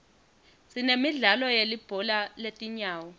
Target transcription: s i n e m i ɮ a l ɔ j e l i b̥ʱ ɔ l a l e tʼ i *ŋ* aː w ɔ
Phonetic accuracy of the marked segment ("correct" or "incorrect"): incorrect